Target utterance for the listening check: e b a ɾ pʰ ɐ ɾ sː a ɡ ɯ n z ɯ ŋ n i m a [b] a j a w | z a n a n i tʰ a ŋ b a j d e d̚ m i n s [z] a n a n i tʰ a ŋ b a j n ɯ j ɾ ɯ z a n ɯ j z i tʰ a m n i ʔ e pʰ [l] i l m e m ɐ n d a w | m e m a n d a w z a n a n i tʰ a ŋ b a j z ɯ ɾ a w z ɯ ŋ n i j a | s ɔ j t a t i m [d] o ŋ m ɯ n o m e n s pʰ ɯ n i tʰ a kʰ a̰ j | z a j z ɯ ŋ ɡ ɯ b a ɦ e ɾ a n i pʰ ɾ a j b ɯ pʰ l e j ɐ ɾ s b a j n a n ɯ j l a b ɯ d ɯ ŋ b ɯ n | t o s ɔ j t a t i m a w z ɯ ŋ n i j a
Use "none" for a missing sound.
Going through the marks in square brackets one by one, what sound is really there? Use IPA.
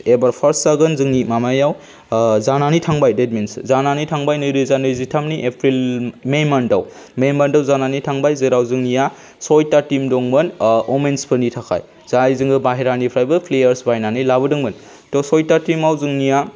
m, z, ɾ, d

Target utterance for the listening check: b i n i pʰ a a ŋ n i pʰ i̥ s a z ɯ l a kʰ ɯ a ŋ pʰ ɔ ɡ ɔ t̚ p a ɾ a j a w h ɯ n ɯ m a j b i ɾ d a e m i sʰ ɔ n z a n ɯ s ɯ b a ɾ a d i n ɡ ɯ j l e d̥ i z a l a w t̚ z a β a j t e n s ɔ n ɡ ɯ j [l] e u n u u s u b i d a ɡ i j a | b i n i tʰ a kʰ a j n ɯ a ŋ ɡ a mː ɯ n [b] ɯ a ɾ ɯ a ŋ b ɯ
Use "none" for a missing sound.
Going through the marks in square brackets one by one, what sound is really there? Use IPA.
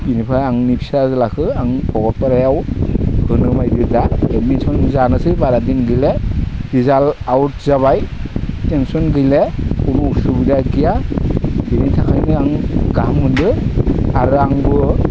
l, d

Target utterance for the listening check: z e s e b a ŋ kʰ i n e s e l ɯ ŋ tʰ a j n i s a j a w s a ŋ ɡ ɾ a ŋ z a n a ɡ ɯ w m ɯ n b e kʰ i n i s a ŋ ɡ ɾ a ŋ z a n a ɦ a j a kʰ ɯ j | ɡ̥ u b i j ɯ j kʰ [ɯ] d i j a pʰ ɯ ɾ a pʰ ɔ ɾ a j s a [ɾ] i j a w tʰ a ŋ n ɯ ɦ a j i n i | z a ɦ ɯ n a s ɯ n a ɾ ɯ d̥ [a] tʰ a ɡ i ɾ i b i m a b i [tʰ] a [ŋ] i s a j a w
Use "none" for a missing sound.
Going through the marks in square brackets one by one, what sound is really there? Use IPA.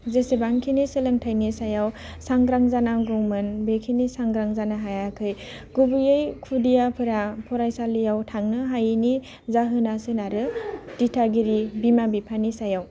u, l, i, pʰ, n

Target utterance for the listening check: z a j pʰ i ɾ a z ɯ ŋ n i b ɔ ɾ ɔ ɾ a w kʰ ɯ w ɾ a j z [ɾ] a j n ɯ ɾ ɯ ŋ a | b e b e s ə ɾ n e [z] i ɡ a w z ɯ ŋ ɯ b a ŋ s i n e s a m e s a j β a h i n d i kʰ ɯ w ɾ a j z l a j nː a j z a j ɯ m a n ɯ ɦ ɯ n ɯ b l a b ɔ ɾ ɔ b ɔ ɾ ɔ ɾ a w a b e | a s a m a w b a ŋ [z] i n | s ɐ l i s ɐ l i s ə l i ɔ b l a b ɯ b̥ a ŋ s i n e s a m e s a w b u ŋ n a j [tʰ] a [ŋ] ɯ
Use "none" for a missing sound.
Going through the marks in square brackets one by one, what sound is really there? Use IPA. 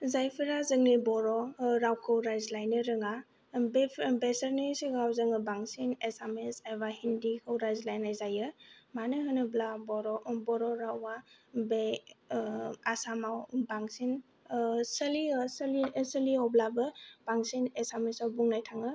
l, s, s, tʰ, ŋ

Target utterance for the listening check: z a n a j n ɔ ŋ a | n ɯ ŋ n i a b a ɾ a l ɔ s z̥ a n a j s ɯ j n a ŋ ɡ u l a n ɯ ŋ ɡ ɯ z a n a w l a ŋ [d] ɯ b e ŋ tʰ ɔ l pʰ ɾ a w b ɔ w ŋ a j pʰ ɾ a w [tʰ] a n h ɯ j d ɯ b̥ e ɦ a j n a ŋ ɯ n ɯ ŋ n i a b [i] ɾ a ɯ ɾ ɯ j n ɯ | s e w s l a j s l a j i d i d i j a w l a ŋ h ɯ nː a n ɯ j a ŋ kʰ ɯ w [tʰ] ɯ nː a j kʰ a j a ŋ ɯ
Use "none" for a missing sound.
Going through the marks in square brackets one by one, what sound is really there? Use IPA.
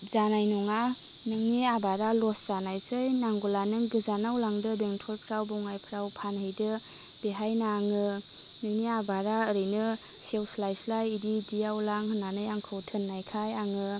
d, pʰ, a, tʰ

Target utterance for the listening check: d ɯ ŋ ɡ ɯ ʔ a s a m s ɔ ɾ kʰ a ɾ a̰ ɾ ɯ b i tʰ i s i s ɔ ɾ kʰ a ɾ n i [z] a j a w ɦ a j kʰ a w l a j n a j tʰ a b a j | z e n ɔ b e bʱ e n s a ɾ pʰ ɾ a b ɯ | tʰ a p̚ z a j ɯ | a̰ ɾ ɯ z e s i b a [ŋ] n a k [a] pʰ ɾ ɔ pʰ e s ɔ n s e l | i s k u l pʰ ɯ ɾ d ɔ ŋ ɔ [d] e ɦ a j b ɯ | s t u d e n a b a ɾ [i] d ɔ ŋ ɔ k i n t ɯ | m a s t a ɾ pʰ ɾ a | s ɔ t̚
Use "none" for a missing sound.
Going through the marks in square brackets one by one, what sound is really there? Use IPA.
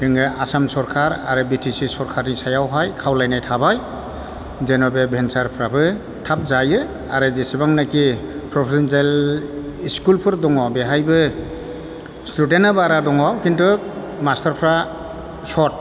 s, ŋ, i, b, a

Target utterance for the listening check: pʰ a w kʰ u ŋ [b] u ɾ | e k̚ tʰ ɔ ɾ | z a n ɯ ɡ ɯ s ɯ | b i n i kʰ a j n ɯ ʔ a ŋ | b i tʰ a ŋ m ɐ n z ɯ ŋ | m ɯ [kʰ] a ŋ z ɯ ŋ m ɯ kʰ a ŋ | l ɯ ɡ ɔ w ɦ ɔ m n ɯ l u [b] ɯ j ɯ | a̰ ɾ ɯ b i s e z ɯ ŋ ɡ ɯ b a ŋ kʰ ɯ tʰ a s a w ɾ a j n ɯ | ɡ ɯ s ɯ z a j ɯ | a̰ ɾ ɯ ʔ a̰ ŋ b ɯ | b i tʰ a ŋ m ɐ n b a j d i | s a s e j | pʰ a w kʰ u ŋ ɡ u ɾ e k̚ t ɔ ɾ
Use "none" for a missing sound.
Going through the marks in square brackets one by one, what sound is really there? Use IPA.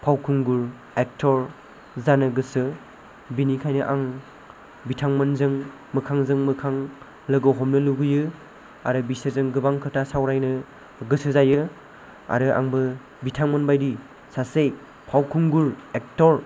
ɡ, kʰ, ɡ

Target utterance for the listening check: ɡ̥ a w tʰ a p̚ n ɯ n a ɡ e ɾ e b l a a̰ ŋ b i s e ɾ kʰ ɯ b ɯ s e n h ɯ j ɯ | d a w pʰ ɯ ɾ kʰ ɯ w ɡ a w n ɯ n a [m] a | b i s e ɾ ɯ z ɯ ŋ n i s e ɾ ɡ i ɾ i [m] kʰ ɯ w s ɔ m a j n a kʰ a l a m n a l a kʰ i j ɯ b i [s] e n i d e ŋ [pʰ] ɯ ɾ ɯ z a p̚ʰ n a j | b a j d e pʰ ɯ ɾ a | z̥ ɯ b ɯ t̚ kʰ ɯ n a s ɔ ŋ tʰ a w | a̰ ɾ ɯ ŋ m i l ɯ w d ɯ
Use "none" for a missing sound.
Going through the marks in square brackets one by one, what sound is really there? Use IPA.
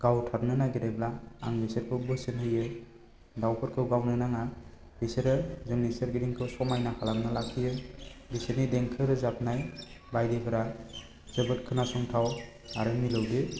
ŋ, ŋ, s, kʰ

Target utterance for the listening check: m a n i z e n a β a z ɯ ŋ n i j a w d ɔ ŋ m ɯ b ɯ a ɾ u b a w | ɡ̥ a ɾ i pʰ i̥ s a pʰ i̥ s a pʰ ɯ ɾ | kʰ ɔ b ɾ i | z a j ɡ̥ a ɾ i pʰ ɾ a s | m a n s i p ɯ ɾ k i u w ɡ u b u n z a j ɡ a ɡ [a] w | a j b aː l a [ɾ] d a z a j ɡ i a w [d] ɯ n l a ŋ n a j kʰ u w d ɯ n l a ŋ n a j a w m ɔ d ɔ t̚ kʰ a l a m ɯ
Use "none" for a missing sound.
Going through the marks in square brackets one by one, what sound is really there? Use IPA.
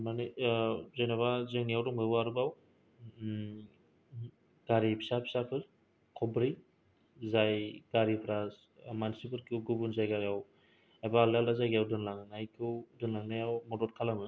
a, l, d

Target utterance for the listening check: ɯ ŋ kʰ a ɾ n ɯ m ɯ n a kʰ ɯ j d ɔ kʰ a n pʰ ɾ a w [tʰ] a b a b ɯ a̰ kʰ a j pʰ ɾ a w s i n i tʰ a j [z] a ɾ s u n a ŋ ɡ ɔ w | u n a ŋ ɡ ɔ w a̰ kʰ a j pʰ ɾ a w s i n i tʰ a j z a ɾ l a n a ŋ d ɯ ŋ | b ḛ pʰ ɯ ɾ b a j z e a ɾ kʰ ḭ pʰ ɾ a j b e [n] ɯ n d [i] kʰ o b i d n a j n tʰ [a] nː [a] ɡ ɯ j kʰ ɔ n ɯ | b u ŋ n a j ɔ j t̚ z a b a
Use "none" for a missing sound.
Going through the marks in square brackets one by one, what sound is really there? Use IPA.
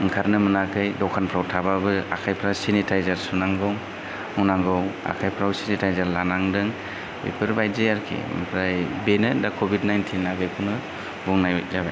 tʰ, z, n, a, i, a

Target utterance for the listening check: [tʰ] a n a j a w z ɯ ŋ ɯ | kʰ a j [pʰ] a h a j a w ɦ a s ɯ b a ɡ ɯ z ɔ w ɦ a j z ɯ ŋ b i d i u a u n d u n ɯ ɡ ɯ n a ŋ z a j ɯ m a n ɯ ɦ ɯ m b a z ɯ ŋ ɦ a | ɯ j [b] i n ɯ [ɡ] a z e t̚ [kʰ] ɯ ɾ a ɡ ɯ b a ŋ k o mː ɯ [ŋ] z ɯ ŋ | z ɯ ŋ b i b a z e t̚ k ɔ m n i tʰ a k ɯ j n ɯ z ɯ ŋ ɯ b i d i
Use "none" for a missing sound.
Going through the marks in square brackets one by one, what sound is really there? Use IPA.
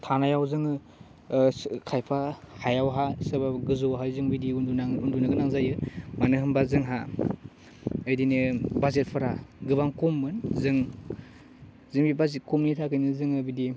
tʰ, pʰ, d, b, pʰ, n

